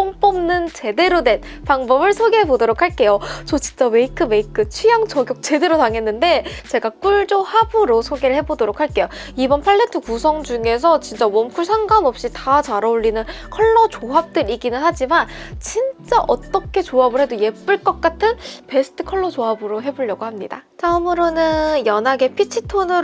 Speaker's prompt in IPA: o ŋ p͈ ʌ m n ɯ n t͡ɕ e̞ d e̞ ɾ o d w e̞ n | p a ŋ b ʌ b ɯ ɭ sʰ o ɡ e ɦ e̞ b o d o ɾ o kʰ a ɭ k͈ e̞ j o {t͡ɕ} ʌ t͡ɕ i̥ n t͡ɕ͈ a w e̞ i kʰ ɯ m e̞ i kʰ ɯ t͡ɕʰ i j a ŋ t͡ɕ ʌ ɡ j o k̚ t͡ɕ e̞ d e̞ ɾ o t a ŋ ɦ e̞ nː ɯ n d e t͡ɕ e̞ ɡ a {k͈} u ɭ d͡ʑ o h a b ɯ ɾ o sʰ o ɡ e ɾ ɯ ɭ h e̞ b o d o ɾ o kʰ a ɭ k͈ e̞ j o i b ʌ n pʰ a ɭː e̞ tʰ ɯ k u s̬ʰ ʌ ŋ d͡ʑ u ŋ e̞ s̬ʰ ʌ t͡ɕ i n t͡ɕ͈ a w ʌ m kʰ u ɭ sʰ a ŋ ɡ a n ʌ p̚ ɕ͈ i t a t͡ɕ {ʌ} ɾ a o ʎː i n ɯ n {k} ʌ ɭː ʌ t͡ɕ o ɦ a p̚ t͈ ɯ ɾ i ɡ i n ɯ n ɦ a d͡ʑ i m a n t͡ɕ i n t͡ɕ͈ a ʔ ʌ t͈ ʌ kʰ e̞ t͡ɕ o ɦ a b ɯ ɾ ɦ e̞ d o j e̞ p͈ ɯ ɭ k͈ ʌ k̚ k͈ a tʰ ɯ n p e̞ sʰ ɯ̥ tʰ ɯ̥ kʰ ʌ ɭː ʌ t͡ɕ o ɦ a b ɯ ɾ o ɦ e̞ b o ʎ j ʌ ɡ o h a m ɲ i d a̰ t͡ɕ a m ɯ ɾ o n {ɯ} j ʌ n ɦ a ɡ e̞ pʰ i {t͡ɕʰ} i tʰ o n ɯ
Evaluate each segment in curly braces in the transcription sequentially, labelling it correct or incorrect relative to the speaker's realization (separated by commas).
correct, correct, incorrect, incorrect, correct, correct